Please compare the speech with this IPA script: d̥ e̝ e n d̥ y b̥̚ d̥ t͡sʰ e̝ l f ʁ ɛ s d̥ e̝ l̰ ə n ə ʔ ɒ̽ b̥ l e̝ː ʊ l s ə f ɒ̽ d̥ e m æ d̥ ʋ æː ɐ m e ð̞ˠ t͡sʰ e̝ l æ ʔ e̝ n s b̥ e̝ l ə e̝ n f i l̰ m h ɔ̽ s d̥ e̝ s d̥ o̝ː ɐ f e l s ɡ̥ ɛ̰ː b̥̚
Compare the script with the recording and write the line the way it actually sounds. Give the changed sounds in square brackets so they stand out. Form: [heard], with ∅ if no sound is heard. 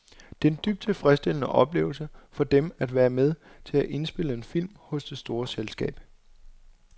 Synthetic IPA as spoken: d̥ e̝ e n d̥ y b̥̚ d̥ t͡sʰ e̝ l f ʁ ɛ s d̥ e̝ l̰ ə n ə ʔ ɒ̽ b̥ l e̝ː ʊ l s ə f ɒ̽ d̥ e m æ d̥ ʋ æː ɐ m e ð̞ˠ t͡sʰ e̝ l æ ʔ e̝ n s b̥ e̝ l ə e̝ n f i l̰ m h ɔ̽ s d̥ e̝ s d̥ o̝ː ɐ [s] e l s ɡ̥ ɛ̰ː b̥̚